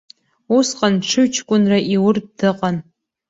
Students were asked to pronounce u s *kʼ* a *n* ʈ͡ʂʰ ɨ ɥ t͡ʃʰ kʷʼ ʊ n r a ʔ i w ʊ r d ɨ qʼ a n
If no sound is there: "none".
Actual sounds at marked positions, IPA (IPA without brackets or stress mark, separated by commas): qʼ, n